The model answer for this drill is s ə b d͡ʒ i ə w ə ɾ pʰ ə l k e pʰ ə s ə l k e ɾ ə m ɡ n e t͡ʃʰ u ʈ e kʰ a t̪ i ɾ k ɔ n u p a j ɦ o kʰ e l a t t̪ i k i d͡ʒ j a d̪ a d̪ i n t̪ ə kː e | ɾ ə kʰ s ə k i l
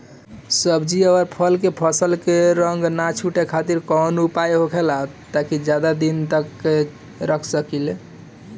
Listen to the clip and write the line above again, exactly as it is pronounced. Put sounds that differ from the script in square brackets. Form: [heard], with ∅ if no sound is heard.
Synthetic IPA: s ə b d͡ʒ i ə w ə ɾ pʰ ə l k e pʰ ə s ə l k e ɾ ə [ŋ] ɡ n [a] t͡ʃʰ u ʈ e kʰ a t̪ i ɾ k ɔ n u p a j ɦ o kʰ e l a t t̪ [a] k i d͡ʒ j a d̪ a d̪ i n t̪ ə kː e | ɾ ə kʰ s ə k i l